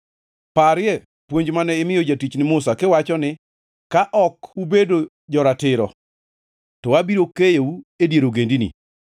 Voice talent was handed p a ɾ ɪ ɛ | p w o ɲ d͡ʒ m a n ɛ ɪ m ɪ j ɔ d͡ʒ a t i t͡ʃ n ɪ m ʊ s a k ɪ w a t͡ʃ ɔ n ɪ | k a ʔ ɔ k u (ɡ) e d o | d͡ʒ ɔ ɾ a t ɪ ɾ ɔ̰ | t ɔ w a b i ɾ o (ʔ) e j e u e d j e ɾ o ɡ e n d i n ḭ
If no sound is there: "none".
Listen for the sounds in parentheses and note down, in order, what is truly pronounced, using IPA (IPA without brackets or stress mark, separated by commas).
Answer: b, k